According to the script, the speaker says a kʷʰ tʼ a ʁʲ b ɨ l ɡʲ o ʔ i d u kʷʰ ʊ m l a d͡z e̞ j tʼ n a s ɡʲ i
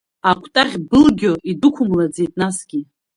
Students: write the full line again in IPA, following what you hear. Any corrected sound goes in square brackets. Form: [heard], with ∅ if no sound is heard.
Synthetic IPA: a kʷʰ tʼ a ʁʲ b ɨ l ɡʲ o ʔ i d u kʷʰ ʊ m l a d͡z e̞ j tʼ n a s ɡʲ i